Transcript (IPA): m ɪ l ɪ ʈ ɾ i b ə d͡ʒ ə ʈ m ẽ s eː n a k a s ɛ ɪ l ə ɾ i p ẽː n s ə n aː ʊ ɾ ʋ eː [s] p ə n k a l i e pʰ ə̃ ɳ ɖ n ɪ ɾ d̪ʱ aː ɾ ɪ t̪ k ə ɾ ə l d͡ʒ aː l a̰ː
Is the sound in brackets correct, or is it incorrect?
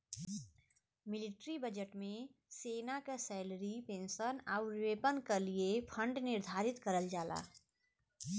incorrect: none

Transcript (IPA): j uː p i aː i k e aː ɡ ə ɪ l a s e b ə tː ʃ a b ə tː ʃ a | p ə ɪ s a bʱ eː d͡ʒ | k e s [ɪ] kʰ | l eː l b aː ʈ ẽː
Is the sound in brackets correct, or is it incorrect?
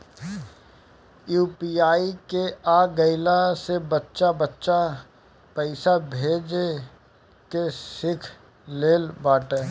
correct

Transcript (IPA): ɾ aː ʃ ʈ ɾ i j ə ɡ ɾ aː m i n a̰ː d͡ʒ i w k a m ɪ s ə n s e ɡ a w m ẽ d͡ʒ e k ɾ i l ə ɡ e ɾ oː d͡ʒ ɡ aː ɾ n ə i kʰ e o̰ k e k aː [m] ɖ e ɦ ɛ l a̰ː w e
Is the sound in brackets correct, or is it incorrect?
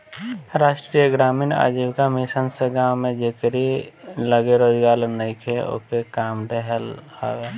correct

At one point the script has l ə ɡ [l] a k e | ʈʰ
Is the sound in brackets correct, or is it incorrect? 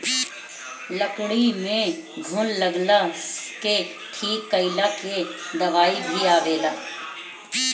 correct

